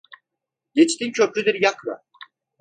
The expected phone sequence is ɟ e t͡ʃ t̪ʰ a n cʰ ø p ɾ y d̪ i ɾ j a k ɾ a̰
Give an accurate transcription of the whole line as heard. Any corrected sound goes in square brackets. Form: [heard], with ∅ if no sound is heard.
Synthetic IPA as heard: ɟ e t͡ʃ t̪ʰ [i] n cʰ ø p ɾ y d̪ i ɾ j a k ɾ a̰